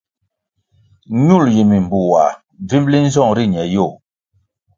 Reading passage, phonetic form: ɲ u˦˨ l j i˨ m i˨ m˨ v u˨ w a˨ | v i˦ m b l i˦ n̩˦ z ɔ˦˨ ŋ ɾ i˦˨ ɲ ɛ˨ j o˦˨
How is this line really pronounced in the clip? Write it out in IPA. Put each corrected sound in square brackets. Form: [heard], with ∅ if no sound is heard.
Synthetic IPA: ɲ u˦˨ l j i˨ m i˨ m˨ [b] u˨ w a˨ | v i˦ m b l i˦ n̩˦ z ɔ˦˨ ŋ ɾ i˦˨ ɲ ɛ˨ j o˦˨